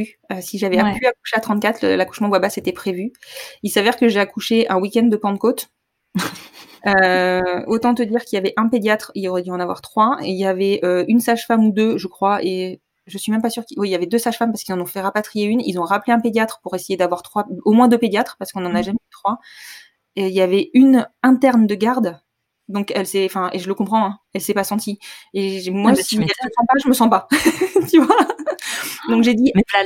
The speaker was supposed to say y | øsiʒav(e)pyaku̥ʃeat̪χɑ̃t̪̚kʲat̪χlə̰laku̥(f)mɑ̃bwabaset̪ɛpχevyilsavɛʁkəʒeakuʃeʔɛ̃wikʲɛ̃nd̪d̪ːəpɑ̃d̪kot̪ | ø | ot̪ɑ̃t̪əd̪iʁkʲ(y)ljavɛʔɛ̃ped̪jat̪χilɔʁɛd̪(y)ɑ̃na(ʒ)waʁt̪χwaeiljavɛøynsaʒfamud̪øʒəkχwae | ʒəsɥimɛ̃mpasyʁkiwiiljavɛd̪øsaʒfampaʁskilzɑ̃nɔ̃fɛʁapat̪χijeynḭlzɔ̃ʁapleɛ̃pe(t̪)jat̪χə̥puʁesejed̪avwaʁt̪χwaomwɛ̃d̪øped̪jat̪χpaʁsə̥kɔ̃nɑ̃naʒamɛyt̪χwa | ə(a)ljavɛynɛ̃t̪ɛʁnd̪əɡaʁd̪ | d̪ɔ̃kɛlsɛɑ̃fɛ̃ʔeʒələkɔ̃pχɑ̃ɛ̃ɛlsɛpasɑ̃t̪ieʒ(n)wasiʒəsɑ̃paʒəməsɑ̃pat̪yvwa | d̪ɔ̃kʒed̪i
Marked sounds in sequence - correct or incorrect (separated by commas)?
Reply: incorrect, incorrect, incorrect, correct, incorrect, incorrect, incorrect, incorrect